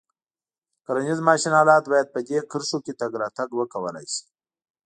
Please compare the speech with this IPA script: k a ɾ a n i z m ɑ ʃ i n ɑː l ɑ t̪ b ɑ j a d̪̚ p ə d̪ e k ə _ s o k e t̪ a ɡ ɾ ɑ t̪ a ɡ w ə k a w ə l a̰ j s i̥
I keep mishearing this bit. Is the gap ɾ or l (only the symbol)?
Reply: ɾ